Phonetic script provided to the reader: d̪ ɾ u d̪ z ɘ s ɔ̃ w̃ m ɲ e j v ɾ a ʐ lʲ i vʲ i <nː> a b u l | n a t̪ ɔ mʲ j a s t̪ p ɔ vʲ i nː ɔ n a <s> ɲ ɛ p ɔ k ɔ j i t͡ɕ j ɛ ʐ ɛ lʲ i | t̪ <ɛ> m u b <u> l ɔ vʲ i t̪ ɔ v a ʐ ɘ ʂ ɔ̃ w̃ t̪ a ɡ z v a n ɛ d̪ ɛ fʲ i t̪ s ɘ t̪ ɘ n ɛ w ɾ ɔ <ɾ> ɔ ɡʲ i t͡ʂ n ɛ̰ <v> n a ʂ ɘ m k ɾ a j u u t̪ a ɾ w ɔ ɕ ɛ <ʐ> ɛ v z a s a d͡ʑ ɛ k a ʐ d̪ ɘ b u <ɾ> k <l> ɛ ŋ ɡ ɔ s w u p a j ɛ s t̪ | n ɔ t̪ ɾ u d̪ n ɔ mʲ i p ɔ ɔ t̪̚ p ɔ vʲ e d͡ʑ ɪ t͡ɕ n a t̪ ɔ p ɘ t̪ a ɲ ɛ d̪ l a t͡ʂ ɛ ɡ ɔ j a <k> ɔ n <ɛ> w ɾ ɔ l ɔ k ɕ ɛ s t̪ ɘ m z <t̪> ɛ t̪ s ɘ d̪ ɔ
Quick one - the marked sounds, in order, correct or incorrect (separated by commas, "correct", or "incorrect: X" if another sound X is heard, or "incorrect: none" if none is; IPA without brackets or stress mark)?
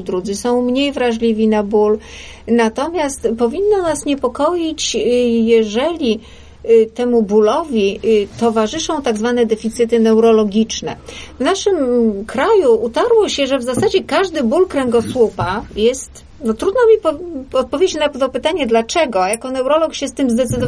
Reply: incorrect: n, correct, correct, correct, incorrect: l, correct, correct, incorrect: l, incorrect: ɾ, correct, correct, incorrect: d̪